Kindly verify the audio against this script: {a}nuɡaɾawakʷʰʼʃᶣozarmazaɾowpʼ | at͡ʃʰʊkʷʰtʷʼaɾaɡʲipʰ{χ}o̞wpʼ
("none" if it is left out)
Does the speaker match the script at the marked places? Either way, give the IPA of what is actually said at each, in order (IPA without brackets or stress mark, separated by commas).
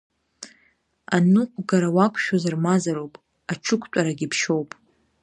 a, ʃ